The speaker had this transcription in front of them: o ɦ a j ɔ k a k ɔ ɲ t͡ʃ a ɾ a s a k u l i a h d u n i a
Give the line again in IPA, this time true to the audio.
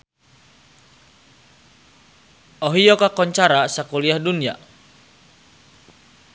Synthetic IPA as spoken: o ɦ i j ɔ k a k ɔ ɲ t͡ʃ a ɾ a s a k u l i a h d u n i a